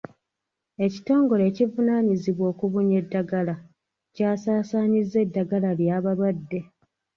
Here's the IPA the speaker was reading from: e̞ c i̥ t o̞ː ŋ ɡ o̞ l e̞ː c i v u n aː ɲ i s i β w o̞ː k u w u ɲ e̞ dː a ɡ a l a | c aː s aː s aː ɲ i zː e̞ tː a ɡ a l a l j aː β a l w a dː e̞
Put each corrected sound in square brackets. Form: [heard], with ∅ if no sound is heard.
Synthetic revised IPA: e̞ c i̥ t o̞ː ŋ ɡ o̞ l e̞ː c i v u n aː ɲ i [z] i β w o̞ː k u [β] u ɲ e̞ dː a ɡ a l a | c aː s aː s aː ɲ i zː e̞ [dː] a ɡ a l a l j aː β a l w a dː e̞